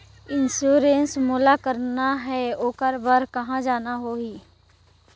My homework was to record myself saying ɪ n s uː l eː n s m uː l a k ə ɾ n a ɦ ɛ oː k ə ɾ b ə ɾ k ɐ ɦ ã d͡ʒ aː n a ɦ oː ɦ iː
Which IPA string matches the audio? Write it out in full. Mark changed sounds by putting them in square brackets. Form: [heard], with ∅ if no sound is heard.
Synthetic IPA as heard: ɪ n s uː [ɾ] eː n s m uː l a k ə ɾ n a ɦ ɛ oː k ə ɾ b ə ɾ k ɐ ɦ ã d͡ʒ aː n a ɦ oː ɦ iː